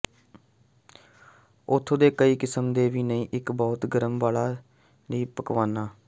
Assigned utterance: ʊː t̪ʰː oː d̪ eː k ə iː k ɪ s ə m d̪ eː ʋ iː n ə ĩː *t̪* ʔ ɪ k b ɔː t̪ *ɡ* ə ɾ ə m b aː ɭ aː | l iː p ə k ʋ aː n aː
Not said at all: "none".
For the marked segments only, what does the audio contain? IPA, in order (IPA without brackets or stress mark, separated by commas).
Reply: none, ɡ